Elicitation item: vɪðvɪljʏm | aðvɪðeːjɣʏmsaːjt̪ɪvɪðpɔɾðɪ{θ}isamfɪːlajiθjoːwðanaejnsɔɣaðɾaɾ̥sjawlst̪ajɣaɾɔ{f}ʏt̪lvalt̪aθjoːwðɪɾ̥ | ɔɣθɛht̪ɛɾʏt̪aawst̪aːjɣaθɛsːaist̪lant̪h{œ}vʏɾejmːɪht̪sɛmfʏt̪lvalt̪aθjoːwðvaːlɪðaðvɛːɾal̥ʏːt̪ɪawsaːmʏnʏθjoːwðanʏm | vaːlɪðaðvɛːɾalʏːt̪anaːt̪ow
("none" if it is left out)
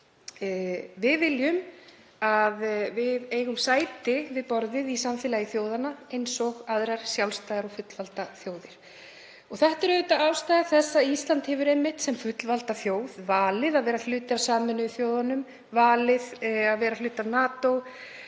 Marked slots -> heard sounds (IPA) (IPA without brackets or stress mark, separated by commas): ð, f, ɛ